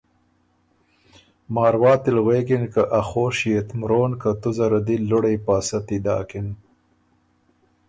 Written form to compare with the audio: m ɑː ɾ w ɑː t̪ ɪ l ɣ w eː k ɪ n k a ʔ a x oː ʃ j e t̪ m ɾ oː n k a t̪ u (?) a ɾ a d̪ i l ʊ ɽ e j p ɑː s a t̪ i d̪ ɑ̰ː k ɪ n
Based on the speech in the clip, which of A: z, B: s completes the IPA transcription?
A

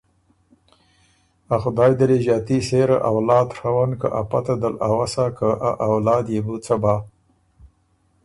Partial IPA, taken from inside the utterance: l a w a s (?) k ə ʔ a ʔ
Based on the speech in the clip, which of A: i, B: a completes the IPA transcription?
B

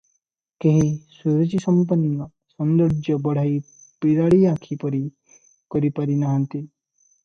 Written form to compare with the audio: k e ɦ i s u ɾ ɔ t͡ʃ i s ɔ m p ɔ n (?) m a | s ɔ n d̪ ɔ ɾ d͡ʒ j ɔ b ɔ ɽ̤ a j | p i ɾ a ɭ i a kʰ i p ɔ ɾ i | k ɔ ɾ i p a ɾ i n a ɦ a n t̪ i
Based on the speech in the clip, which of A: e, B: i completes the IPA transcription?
B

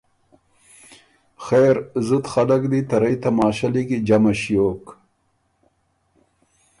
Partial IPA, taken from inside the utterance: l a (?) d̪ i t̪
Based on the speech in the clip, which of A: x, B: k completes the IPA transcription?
B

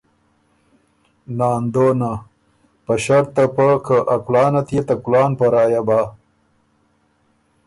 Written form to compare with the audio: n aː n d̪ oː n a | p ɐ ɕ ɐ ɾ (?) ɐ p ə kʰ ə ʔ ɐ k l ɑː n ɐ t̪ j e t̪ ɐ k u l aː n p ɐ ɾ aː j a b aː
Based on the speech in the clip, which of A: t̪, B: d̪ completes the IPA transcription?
A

